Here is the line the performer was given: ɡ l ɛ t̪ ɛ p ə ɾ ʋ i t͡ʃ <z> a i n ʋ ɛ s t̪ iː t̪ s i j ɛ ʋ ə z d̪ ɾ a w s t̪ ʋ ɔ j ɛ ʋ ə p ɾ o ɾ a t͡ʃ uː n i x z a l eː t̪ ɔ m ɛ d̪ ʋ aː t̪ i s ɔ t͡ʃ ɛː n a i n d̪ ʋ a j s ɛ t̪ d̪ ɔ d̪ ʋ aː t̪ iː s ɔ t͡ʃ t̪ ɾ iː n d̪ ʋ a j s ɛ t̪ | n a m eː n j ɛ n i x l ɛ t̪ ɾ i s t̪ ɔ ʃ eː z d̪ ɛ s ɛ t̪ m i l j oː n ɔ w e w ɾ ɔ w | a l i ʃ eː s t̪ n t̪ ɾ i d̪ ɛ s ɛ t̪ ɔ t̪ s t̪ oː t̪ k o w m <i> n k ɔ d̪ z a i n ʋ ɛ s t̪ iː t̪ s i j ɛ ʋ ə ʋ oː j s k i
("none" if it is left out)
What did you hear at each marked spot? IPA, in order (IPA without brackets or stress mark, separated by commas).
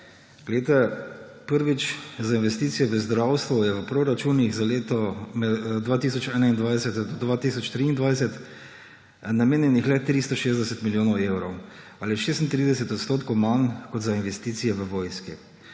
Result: z, a